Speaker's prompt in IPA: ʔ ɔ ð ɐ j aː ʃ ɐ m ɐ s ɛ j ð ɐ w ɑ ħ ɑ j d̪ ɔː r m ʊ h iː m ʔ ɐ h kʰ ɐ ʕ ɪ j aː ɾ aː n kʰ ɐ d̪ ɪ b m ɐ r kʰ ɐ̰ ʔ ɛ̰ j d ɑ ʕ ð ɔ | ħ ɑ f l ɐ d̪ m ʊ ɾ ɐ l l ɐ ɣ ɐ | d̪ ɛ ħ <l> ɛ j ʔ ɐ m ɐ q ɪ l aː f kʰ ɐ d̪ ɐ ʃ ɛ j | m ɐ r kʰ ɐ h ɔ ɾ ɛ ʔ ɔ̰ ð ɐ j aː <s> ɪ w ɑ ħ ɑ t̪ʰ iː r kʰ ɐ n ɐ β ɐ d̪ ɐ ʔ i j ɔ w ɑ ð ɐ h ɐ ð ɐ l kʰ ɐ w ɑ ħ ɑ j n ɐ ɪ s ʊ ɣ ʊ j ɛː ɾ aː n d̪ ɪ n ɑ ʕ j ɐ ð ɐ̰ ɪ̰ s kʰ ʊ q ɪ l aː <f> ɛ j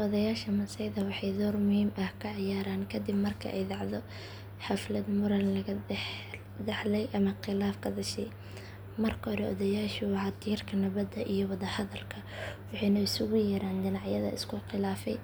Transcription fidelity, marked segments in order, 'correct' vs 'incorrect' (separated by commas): correct, incorrect, correct